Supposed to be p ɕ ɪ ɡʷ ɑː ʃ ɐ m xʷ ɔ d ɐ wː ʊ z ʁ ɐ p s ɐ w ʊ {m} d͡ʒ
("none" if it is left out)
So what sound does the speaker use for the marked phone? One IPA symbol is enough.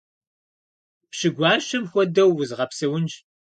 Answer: n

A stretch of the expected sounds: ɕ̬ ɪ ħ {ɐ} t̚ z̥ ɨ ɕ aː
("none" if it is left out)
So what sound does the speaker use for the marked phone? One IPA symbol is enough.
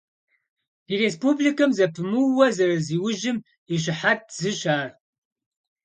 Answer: a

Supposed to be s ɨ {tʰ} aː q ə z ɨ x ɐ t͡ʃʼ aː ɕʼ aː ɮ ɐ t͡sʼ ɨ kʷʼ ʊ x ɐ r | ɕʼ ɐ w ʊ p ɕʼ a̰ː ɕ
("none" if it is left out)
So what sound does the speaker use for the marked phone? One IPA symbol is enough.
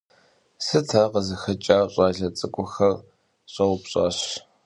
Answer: tʰ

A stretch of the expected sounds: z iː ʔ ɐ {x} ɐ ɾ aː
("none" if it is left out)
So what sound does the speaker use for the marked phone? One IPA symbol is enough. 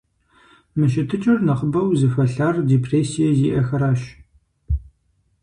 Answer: x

